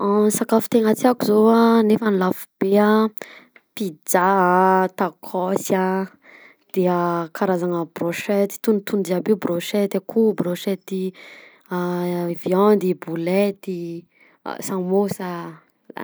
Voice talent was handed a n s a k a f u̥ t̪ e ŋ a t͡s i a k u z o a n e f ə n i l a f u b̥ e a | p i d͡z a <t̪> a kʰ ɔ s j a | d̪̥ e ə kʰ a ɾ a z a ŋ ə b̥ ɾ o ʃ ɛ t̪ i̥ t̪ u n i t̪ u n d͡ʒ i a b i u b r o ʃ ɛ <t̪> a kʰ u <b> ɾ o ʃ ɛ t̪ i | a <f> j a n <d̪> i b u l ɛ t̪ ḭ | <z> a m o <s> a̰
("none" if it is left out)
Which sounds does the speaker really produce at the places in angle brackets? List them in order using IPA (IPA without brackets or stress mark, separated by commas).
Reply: t̪, t̪, b, v, d̪, s, s